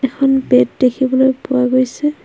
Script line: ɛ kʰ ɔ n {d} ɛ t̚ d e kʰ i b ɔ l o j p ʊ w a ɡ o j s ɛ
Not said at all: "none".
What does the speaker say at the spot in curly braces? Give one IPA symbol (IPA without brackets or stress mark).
b